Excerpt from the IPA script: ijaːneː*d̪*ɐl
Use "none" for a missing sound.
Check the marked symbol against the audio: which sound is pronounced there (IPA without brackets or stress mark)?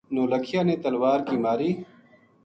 t̪